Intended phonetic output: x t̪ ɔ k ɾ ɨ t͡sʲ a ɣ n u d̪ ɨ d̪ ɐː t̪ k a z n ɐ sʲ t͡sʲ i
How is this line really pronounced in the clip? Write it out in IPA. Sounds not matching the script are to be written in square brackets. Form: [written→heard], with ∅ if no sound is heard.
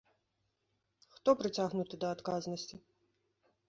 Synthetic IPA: x t̪ ɔ [k→p] ɾ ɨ t͡sʲ a ɣ n u [d̪→t̪] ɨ d̪ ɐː t̪ k a z n ɐ sʲ t͡sʲ i